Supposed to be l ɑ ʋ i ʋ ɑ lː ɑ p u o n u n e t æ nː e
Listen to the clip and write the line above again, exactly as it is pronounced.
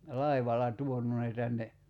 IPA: l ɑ i ʋ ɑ l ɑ t u o n u n e t æ nː e